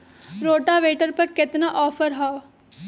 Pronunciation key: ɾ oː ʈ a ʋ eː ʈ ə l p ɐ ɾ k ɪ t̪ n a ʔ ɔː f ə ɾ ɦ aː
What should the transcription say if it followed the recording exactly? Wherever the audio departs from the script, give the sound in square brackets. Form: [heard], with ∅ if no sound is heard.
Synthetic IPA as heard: ɾ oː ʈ a ʋ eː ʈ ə [ɾ] p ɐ ɾ k ɪ t̪ n a ʔ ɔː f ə ɾ ɦ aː